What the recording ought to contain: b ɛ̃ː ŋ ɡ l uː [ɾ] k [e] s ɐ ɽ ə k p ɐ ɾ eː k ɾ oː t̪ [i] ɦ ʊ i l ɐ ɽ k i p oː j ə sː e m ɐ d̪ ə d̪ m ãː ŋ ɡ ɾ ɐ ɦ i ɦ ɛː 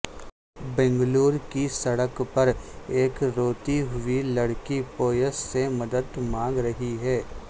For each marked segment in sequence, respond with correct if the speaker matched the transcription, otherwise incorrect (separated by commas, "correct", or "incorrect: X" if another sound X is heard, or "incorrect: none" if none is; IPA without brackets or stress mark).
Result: correct, incorrect: i, correct